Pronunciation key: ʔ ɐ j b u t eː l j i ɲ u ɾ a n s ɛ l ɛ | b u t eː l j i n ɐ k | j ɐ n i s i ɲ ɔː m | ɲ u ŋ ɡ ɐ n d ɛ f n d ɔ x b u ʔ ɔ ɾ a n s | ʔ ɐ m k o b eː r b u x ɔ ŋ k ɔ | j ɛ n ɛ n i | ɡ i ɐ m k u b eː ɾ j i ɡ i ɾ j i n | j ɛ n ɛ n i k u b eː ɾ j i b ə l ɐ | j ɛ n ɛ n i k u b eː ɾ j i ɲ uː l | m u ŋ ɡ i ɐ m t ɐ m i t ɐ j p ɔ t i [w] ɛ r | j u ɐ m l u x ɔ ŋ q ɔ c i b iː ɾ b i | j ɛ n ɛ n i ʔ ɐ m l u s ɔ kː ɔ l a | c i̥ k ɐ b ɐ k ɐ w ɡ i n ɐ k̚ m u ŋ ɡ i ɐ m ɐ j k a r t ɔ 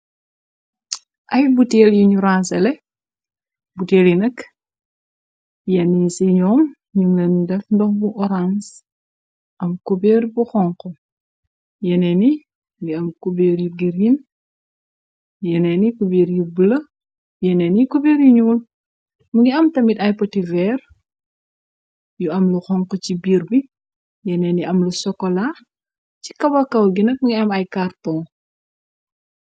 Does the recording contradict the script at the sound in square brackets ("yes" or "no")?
yes